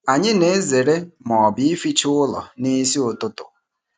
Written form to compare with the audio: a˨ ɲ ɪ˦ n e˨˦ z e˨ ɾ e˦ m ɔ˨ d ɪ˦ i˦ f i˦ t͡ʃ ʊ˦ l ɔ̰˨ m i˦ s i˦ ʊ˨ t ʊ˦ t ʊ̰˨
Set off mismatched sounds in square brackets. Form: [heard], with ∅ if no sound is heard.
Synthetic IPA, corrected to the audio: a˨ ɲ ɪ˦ n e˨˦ z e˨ ɾ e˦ m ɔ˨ [b] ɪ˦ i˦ f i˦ t͡ʃ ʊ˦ l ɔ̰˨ [n] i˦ s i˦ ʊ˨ t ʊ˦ t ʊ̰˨